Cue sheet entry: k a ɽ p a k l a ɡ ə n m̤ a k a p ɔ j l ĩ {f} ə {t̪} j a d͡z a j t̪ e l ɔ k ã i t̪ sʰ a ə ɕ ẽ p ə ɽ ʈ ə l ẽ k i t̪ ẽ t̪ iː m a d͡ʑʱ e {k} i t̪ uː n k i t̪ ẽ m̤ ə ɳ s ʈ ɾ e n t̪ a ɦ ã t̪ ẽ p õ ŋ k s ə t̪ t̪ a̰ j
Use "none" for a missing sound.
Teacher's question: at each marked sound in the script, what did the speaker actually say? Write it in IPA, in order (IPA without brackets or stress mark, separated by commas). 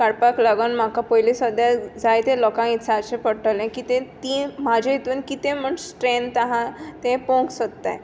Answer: s, d̪, none